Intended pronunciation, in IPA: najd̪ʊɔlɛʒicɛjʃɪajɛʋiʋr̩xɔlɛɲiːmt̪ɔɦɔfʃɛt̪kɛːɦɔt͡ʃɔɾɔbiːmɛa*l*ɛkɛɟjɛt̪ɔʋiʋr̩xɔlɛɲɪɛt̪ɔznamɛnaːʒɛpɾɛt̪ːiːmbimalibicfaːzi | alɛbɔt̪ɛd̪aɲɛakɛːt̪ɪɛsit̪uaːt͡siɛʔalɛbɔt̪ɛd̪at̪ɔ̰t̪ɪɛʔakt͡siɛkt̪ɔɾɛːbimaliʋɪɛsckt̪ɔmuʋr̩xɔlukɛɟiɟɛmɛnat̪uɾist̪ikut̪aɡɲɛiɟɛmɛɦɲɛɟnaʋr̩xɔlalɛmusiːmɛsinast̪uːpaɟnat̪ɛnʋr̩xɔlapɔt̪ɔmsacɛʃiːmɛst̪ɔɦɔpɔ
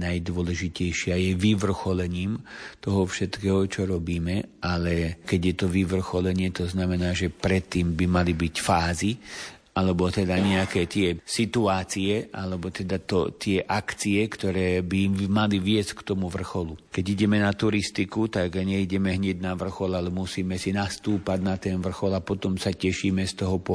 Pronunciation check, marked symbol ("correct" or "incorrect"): correct